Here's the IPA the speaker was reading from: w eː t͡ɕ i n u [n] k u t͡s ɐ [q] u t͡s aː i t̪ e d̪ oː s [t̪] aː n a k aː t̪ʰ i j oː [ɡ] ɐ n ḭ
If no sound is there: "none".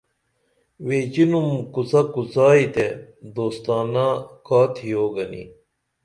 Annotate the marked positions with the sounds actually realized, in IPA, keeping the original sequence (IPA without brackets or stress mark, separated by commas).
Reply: m, k, t̪, ɡ